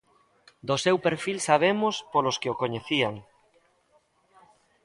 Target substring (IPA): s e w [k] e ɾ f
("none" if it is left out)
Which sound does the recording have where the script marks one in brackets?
p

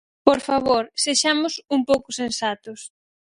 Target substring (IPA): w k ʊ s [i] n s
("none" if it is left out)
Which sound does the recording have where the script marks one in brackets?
e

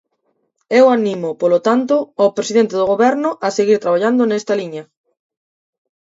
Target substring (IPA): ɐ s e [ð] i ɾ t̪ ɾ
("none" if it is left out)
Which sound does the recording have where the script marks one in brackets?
ɣ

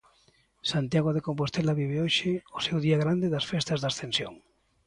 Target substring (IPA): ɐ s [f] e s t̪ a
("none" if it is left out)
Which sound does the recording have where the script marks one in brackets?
f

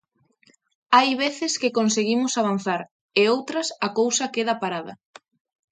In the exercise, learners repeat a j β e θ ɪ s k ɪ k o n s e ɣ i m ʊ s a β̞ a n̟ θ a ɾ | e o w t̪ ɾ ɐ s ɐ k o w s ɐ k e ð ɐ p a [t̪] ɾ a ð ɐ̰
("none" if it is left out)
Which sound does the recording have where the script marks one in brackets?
none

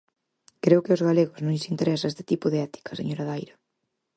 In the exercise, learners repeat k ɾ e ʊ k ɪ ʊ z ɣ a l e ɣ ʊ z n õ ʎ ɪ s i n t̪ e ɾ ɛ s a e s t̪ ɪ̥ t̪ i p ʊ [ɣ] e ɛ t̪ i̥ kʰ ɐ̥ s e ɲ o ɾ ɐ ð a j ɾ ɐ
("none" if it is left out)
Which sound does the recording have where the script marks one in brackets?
ð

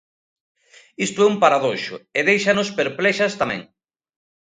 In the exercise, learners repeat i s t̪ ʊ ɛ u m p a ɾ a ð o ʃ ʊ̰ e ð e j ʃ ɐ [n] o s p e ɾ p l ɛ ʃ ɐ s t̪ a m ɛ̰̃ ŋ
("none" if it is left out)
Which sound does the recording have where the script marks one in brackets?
n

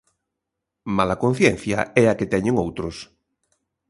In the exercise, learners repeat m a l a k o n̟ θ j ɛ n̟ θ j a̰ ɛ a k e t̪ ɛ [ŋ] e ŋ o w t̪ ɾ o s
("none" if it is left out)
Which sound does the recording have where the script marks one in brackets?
ɲ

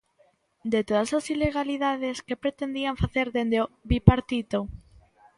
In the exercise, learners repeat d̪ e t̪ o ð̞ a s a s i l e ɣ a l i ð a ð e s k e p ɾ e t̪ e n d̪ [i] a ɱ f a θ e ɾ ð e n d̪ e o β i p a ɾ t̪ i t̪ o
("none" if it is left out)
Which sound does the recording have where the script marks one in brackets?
i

